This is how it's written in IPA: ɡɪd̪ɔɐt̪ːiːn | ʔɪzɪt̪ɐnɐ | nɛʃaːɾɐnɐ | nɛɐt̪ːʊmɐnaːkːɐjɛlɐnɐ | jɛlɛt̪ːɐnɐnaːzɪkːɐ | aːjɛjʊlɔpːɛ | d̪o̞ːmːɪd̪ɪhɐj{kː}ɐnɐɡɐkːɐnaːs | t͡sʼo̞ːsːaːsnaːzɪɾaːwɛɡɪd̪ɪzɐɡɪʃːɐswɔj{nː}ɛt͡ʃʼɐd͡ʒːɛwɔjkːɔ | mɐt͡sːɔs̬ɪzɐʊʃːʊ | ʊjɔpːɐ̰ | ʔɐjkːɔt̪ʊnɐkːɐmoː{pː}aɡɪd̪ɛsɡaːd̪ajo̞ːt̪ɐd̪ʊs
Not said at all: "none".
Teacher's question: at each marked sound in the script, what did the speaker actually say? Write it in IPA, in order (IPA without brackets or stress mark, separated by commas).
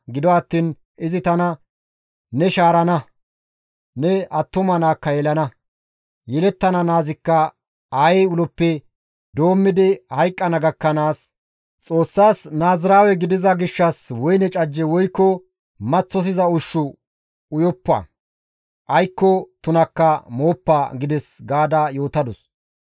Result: kʼː, n, pː